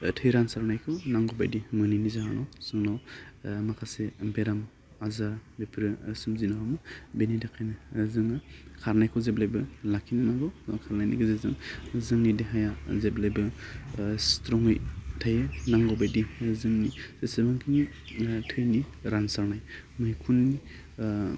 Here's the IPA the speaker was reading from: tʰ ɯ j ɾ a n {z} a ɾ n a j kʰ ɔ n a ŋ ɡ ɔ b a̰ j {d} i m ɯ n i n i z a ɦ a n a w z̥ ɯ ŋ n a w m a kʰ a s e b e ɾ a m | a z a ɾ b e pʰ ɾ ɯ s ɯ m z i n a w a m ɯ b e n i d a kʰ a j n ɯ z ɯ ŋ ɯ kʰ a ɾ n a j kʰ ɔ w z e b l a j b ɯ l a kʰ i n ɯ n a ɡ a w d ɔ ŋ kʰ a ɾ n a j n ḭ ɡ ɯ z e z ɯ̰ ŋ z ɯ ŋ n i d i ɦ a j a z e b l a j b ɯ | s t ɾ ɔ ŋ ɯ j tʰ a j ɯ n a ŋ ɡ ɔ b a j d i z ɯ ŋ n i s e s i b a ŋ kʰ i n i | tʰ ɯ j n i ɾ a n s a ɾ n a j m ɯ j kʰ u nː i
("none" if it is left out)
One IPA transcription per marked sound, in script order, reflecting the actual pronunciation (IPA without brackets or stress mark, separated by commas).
s, d